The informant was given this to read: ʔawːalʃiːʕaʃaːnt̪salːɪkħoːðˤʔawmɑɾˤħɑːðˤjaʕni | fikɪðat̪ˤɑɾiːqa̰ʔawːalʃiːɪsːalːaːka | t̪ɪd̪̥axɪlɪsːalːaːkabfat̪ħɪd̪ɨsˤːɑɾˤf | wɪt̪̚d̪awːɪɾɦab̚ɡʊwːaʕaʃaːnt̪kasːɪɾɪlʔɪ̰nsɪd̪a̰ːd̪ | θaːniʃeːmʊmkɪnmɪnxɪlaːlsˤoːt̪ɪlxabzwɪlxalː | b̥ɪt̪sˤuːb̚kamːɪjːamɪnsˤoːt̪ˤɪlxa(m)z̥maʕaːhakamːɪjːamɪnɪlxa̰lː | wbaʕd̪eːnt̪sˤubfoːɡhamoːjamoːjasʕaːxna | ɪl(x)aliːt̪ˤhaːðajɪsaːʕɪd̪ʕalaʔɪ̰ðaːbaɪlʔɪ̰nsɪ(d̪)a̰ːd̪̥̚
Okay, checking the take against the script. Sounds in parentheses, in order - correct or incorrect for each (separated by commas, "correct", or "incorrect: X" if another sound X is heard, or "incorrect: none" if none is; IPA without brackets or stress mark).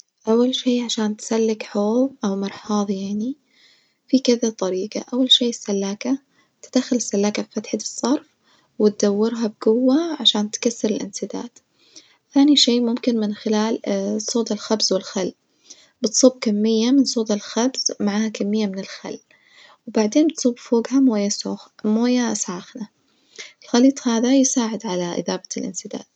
incorrect: b, correct, correct